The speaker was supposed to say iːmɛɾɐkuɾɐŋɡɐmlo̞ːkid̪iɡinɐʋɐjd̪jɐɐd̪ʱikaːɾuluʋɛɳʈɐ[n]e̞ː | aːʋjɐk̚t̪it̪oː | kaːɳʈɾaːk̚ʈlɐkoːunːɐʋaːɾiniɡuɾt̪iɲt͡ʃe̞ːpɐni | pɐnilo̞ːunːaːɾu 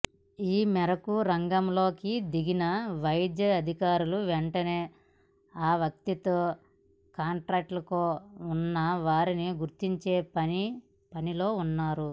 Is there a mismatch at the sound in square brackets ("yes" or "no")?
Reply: no